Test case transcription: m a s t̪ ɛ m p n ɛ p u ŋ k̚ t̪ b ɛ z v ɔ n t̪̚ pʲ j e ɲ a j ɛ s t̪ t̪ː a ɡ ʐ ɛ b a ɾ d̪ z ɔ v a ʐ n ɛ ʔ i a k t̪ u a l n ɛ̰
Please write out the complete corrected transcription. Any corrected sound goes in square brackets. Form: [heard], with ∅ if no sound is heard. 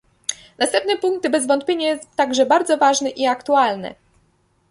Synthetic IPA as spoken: [n] a s t̪ ɛ m p n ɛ p u ŋ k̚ t̪ b ɛ z v ɔ n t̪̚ pʲ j e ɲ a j ɛ s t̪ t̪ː a ɡ ʐ ɛ b a ɾ d̪ z ɔ v a ʐ n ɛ ʔ i a k t̪ u a l n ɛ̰